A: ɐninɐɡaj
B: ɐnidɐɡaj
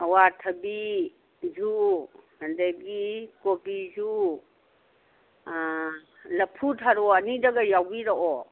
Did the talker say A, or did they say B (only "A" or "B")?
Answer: B